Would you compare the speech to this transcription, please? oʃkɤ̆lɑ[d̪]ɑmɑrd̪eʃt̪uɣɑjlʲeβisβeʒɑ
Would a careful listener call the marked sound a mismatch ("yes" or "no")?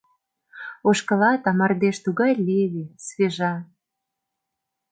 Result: yes